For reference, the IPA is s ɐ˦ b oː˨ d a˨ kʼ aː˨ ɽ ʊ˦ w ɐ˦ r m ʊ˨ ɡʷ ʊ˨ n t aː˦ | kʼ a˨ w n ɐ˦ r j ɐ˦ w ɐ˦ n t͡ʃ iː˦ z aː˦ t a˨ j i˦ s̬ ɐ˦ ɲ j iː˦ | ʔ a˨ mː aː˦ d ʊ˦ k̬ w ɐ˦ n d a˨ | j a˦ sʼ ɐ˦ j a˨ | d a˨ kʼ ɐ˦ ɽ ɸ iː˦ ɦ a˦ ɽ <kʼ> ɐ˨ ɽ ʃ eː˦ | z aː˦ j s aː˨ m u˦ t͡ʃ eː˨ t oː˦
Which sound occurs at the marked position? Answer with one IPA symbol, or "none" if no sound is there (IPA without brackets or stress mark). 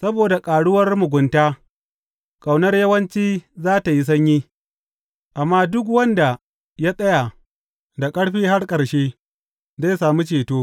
kʼ